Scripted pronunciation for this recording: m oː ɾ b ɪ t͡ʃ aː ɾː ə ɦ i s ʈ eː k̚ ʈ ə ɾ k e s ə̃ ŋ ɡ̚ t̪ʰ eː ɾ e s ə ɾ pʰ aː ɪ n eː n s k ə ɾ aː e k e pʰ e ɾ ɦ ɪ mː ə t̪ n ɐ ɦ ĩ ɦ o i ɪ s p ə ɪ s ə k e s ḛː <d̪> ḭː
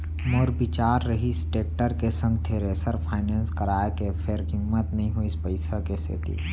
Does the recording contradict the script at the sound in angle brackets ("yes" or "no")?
yes